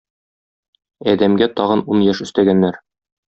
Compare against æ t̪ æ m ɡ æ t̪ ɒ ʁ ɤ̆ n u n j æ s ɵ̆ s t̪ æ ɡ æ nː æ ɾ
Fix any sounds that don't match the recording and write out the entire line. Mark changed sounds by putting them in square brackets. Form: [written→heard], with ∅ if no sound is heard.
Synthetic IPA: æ [t̪→d̪] æ m ɡ æ t̪ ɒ ʁ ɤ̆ n u n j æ [s→ʃ] ɵ̆ s t̪ æ ɡ æ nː æ ɾ